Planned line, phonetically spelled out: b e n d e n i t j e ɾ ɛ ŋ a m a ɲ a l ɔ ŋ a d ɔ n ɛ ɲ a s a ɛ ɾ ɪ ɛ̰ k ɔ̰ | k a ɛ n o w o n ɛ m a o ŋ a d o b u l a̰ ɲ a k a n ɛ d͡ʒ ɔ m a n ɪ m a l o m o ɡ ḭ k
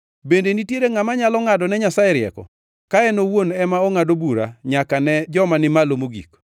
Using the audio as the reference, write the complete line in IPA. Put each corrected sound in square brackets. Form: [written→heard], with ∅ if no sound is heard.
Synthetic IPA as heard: b e n d e n i t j e ɾ [ɛ→e] ŋ a m a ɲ a l ɔ ŋ a d ɔ n ɛ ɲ a s a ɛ ɾ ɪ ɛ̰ k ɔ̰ | k a ɛ n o w o n ɛ m a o ŋ a d o b u [l→ɾ] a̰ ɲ a k a n ɛ d͡ʒ ɔ m a n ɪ m a l o m o ɡ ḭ k